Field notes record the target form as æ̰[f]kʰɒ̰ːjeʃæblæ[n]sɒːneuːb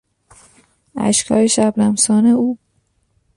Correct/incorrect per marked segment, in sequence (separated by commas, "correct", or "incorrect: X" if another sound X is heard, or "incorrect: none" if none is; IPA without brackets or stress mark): incorrect: ʃ, incorrect: m